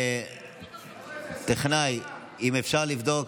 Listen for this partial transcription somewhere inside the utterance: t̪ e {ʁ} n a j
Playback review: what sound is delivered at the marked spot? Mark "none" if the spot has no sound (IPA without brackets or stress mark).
χ